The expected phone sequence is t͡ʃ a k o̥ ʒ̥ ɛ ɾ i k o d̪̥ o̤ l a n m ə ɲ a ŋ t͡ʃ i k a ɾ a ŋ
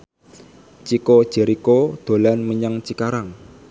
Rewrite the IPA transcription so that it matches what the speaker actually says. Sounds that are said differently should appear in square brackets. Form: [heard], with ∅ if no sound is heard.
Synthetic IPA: t͡ʃ [i] k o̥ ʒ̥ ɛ ɾ i k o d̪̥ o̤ l a n m ə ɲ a ŋ t͡ʃ i k a ɾ a ŋ